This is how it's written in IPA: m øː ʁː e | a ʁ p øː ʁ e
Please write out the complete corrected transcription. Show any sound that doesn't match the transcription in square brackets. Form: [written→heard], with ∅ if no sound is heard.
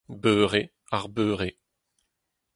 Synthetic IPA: [m→b] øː [ʁː→ʁ] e | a ʁ [p→b] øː ʁ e